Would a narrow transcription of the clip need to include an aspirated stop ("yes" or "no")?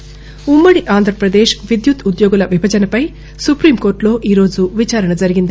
no